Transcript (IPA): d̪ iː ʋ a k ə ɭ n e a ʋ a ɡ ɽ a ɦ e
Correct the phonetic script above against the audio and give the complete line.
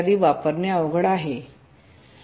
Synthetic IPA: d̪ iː ʋ a p ə ɾ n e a ʋ ə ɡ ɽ a ɦ e